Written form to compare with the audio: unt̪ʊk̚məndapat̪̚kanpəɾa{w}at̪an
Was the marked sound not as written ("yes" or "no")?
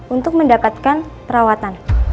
no